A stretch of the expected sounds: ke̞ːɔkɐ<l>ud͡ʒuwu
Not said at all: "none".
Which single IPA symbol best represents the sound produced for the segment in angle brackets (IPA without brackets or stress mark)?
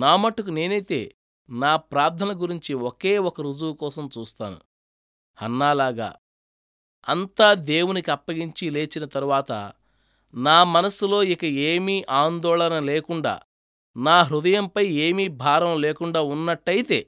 ɾ